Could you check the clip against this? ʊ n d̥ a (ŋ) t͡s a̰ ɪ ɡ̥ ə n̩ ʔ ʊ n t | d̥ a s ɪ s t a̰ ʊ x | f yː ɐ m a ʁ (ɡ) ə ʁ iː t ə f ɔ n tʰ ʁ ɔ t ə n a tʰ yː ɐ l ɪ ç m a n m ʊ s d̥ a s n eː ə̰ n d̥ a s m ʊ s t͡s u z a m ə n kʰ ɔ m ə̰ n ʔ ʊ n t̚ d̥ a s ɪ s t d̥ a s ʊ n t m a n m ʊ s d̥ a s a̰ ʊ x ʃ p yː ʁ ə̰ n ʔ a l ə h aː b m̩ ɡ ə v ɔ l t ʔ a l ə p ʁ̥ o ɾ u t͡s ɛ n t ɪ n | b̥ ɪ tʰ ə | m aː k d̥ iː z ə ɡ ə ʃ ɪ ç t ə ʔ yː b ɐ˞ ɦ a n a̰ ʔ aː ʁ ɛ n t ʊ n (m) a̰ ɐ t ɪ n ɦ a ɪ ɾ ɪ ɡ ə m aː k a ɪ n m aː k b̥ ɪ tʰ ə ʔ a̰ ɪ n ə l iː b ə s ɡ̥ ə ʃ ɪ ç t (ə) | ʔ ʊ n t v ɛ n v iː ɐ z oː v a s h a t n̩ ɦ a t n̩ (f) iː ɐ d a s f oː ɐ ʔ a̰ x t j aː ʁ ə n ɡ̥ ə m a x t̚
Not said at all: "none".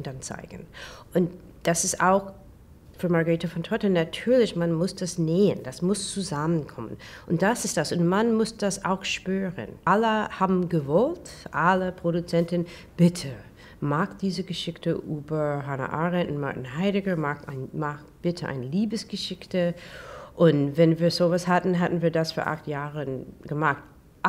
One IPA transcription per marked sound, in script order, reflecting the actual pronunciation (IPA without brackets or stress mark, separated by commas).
n, ɡ, m, ə, v